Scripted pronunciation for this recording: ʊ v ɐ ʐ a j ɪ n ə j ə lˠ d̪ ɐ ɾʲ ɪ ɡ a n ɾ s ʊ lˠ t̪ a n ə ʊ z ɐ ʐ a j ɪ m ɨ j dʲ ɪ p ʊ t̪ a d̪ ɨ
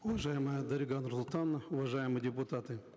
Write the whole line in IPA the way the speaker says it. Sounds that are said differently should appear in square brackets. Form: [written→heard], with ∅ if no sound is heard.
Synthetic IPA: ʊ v ɐ ʐ a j ɪ [n→m] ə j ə [lˠ→∅] d̪ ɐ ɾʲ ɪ ɡ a n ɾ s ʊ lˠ t̪ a n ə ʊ [z→v] ɐ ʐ a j ɪ m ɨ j dʲ ɪ p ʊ t̪ a [d̪→t̪] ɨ